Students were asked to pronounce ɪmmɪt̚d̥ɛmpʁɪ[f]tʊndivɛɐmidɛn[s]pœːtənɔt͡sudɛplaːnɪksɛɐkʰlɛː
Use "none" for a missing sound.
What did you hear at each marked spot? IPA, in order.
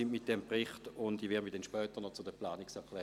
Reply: χ, ʃ

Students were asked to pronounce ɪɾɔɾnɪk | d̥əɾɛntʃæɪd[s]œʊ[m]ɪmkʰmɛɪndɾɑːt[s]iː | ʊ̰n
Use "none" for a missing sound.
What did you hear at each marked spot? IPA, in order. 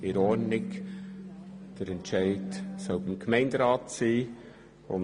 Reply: s, b, s

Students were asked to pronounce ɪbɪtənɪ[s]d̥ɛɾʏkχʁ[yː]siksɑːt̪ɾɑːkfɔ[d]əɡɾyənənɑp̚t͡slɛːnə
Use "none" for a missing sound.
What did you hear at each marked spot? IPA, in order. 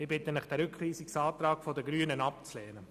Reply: χ, iː, d

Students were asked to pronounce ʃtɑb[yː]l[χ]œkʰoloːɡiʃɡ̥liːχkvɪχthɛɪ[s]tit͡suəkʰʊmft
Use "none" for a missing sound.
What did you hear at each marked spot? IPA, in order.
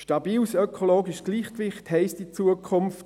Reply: iː, s, s

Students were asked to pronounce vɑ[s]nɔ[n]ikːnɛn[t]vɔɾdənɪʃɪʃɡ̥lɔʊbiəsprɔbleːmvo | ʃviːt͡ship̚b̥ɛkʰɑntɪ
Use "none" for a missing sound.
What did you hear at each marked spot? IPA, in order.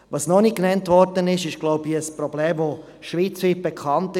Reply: s, n, t

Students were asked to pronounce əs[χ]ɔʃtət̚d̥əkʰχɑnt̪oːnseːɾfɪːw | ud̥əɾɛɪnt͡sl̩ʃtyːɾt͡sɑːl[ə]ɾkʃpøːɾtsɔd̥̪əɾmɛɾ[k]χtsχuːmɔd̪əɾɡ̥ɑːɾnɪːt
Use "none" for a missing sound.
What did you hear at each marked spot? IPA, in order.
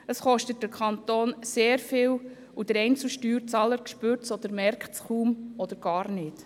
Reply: χ, ə, k

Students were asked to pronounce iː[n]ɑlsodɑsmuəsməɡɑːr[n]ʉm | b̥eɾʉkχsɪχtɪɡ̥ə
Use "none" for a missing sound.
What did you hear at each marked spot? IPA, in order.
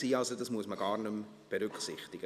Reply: none, n

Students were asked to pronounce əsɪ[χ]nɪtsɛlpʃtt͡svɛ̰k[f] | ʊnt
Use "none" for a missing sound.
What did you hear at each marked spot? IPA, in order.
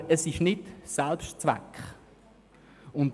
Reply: ʃ, χ

